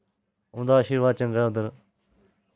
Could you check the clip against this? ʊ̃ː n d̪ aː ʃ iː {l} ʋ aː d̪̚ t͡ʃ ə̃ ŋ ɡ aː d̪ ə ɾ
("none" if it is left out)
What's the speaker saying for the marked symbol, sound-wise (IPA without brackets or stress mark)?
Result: ɾ